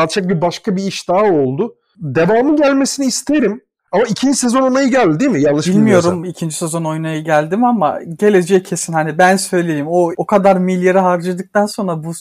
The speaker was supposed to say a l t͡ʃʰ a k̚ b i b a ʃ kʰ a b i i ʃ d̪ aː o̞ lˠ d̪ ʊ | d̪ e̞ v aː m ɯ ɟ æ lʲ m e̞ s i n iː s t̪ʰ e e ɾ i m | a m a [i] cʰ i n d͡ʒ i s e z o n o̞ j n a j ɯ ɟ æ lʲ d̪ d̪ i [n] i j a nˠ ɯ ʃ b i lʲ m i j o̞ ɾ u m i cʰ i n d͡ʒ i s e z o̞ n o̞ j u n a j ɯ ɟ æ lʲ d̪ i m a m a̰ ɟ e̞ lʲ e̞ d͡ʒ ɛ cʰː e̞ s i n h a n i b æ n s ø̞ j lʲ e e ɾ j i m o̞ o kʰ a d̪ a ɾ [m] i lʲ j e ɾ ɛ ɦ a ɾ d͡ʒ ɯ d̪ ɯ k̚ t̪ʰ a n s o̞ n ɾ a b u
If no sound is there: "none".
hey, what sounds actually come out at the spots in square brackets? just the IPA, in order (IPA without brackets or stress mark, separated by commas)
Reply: i, m, m